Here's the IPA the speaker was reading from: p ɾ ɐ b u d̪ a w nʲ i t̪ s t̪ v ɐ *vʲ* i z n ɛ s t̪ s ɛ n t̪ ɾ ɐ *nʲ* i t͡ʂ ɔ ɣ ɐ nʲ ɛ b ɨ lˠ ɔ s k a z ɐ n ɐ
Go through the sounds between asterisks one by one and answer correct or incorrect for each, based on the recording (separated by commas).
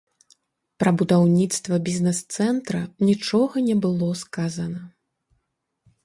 incorrect, correct